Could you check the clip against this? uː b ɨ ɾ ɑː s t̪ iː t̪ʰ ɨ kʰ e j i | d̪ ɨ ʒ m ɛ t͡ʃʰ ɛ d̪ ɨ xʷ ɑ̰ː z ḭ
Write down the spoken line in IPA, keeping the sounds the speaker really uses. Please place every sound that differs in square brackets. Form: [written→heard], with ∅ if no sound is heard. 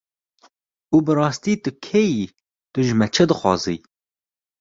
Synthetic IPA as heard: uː b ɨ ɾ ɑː s t̪ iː [t̪ʰ→t̪] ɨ kʰ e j i | [d̪→t̪] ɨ ʒ m ɛ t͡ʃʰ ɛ d̪ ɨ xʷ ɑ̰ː z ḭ